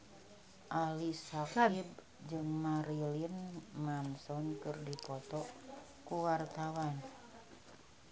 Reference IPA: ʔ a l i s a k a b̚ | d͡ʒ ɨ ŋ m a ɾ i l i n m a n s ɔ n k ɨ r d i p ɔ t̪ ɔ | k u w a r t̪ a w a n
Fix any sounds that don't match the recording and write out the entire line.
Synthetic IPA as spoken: ʔ a l i s a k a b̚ | d͡ʒ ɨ ŋ m a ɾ i l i n m a n s ɔ n k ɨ r d i p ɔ t̪ ɔ | k u w a r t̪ a w a n

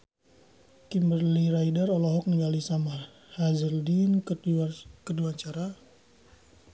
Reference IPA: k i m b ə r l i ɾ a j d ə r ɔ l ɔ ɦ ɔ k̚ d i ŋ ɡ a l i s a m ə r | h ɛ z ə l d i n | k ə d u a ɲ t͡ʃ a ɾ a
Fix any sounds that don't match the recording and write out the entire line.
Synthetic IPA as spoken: k i m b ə r l i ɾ a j d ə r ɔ l ɔ ɦ ɔ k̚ n i ŋ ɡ a l i s a m a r | h a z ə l d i n | k ə d u a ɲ t͡ʃ a ɾ a

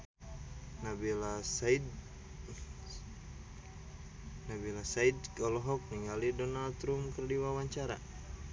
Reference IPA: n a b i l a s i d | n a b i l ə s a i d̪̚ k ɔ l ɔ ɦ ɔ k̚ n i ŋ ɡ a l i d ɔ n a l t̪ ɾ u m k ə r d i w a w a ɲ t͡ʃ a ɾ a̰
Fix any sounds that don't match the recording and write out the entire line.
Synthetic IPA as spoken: n a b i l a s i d | n a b i l a s a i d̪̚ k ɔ l ɔ ɦ ɔ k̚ n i ŋ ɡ a l i d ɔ n a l t̪ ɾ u m k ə r d i w a w a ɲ t͡ʃ a ɾ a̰

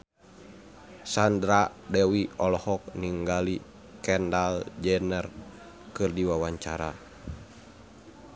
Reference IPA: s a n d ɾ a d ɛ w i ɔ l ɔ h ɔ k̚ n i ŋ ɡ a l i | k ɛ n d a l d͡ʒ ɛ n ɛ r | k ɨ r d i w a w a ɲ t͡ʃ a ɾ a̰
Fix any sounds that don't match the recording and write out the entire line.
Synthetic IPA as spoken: s a n d ɾ a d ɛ w i ɔ l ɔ h ɔ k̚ n i ŋ ɡ a l i | k ɛ n d a l d͡ʒ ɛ n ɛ r | k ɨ r d i w a w a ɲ t͡ʃ a ɾ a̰

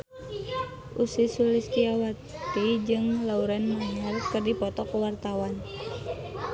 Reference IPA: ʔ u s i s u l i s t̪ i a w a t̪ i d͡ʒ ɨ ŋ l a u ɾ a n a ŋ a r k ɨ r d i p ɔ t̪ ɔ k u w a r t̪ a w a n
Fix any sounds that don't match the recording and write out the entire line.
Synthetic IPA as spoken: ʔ u s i s u l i s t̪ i a w a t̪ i d͡ʒ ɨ ŋ l a u ɾ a n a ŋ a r k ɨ r d i p ɔ t̪ ɔ k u w a r t̪ a w a n

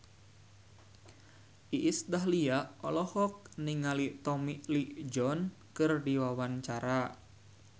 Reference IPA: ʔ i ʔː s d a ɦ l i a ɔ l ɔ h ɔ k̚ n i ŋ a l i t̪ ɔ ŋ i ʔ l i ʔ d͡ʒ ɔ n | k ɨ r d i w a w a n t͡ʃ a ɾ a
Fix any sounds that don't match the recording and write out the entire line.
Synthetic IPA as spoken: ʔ i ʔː s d a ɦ l i a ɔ l ɔ h ɔ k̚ n i ŋ a l i t̪ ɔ m i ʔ l i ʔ d͡ʒ ɔ n | k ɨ r d i w a w a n t͡ʃ a ɾ a

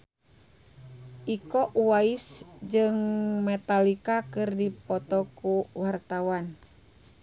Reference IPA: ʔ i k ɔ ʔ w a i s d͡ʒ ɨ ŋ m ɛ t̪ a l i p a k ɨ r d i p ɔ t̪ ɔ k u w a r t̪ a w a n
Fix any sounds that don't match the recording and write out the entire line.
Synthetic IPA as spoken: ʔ i k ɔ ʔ w a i s d͡ʒ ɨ ŋ m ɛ t̪ a l i k a k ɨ r d i p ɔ t̪ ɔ k u w a r t̪ a w a n

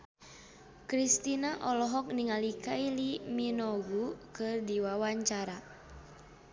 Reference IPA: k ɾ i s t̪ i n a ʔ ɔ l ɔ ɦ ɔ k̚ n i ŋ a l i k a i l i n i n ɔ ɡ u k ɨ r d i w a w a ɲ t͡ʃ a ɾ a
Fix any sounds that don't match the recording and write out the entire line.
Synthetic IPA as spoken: k ɾ i s t̪ i n a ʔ ɔ l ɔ ɦ ɔ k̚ n i ŋ a l i k a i l i m i n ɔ ɡ u k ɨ r d i w a w a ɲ t͡ʃ a ɾ a

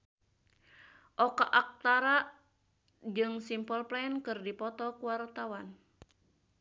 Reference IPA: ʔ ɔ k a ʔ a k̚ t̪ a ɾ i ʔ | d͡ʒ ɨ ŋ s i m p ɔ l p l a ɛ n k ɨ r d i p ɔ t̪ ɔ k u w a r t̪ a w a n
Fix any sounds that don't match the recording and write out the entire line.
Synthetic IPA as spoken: ʔ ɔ k a ʔ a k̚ t̪ a ɾ a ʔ | d͡ʒ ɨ ŋ s i m p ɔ l p l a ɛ n k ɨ r d i p ɔ t̪ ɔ k u w a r t̪ a w a n

